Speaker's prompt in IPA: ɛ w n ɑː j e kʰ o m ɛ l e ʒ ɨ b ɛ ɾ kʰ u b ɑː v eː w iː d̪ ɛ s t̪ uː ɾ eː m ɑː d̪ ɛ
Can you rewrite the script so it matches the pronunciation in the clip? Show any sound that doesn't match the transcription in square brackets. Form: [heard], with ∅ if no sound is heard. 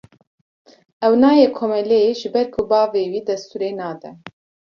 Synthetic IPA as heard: ɛ w n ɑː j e kʰ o m ɛ l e ʒ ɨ b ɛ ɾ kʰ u b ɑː v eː w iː d̪ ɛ s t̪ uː ɾ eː [n] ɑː d̪ ɛ